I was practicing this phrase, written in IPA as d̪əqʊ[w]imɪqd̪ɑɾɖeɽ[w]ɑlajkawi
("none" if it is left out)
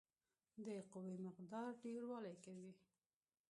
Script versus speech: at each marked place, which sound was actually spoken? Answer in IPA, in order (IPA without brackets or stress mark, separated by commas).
w, w